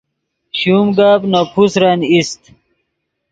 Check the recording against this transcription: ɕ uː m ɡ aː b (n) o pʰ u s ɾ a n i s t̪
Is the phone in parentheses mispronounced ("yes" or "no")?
no